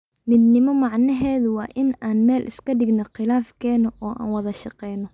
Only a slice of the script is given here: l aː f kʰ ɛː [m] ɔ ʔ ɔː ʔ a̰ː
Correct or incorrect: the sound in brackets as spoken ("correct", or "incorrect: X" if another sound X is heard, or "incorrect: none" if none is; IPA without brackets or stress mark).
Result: incorrect: n